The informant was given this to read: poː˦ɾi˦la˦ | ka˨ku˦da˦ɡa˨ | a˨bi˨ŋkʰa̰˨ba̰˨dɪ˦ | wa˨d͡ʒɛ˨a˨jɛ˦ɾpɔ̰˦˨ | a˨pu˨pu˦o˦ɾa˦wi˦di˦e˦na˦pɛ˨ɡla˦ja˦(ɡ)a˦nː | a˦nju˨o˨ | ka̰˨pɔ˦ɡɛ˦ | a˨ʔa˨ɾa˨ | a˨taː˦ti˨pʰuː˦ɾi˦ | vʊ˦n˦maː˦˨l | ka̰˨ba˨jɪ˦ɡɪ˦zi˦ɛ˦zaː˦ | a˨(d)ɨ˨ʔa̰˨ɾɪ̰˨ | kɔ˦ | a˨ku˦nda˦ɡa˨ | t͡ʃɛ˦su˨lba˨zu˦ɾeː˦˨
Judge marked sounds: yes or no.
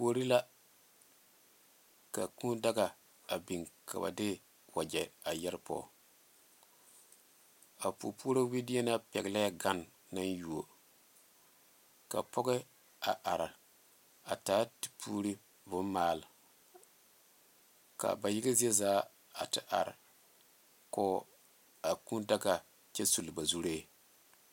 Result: yes, no

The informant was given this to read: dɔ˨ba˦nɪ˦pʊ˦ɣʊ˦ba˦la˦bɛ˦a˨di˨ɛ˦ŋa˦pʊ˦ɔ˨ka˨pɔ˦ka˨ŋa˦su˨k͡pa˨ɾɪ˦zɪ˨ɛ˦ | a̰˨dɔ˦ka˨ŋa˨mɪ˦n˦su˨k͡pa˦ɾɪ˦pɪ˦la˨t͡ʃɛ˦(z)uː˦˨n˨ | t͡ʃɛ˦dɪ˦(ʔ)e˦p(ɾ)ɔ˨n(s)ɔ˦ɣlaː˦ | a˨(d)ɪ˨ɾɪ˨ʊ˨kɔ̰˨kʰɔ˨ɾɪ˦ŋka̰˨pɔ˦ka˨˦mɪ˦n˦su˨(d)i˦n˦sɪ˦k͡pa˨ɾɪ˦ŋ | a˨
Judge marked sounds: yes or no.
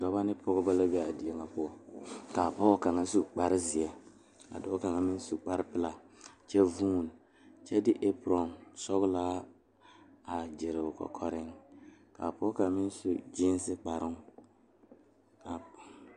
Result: no, yes, yes, yes, no, no

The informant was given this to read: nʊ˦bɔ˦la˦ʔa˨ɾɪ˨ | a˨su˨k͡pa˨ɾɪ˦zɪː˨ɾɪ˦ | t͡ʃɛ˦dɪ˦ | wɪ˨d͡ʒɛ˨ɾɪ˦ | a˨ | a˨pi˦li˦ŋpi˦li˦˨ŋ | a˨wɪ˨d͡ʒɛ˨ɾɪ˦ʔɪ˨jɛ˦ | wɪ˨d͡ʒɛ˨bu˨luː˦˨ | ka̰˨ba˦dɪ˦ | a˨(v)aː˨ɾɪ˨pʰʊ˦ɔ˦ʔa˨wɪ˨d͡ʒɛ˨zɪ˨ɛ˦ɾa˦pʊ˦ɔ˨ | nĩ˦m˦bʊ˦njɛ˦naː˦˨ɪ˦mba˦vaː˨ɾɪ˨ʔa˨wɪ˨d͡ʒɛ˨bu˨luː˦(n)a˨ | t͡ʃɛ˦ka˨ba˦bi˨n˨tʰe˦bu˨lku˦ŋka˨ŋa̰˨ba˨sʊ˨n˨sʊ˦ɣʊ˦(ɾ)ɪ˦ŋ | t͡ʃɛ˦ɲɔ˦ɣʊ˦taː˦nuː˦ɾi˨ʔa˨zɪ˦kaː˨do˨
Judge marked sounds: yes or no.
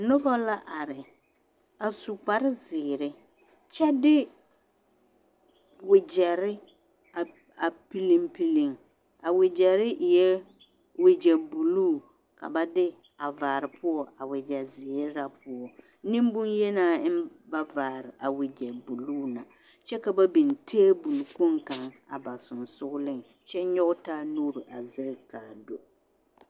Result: yes, yes, no

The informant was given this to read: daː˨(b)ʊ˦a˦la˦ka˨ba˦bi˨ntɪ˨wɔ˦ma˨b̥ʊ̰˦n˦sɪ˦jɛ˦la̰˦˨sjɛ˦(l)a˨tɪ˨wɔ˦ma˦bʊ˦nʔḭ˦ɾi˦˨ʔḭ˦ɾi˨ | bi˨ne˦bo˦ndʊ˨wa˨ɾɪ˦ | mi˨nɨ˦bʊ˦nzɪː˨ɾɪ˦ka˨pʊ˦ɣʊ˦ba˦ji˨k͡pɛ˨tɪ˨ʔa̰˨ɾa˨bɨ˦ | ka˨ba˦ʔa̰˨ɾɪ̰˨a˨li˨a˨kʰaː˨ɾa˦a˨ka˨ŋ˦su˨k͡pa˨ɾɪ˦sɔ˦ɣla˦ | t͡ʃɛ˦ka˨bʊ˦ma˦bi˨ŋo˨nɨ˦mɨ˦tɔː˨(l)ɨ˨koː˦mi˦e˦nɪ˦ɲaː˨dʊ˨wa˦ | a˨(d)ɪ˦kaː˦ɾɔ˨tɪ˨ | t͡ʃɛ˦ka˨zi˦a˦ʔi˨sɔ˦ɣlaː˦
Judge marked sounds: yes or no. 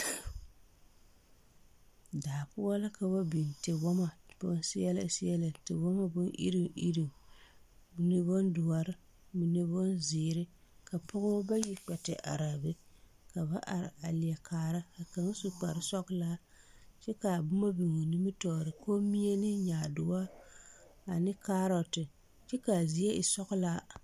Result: no, yes, no, no

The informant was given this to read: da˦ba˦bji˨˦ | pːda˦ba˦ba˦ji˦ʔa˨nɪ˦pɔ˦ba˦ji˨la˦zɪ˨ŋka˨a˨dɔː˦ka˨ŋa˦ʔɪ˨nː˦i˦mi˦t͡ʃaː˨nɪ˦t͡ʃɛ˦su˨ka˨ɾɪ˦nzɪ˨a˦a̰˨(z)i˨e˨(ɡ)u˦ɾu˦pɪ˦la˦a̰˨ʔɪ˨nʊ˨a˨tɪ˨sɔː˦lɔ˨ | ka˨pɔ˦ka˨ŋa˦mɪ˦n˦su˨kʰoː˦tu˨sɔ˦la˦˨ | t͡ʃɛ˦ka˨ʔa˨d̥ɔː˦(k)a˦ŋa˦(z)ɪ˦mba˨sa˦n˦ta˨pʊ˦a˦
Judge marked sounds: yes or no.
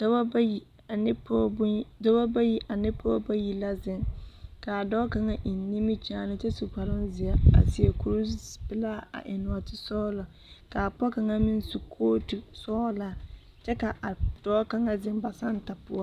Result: no, no, yes, yes

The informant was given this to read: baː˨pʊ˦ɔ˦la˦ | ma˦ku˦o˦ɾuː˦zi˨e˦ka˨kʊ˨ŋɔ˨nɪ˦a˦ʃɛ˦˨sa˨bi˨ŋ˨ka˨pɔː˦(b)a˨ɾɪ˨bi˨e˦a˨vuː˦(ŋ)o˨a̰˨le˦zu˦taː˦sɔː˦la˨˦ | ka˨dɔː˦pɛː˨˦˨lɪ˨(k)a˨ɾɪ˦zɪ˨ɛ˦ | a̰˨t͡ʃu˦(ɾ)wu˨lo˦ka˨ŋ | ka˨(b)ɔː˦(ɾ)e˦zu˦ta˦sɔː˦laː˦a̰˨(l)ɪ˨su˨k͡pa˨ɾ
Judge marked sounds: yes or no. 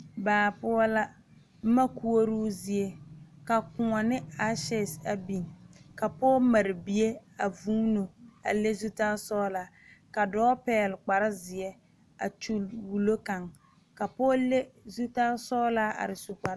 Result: no, no, no, no, no, no, no

